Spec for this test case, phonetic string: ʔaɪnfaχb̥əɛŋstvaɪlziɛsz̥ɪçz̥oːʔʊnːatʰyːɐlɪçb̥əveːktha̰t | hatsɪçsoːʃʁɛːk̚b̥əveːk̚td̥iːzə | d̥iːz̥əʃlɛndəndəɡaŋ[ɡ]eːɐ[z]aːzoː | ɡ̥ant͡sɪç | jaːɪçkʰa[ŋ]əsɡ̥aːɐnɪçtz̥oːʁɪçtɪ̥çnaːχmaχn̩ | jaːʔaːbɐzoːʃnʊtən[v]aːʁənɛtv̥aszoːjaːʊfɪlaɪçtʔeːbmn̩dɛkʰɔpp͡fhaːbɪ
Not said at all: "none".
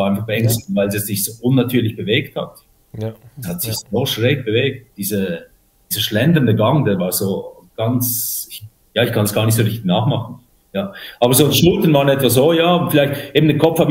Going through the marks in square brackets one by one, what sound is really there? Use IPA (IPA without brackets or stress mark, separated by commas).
d, v, n, v